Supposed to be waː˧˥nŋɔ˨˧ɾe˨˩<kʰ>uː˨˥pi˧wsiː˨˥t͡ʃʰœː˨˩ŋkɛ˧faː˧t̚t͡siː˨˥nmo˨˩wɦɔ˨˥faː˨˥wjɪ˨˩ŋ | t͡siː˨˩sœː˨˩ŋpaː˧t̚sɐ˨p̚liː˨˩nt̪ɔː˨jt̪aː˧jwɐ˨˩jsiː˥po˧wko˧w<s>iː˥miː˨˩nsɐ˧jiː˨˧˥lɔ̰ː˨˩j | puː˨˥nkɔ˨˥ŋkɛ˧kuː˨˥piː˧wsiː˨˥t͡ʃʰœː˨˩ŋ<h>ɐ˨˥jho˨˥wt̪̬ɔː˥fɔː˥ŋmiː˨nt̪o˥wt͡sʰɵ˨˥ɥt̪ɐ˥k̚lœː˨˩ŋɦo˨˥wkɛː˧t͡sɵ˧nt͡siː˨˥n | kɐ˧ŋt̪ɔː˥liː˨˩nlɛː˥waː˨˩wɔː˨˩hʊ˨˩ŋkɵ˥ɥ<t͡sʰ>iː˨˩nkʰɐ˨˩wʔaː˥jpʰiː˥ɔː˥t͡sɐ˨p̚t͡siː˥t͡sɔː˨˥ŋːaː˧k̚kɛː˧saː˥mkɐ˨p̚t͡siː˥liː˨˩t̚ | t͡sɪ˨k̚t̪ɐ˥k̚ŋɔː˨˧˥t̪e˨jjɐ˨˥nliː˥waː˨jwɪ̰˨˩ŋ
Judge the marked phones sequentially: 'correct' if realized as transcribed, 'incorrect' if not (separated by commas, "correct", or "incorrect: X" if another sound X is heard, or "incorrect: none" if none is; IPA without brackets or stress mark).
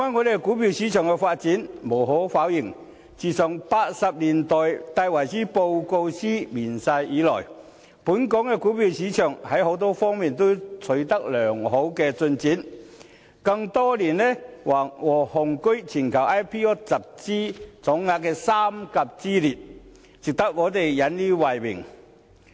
incorrect: k, correct, correct, correct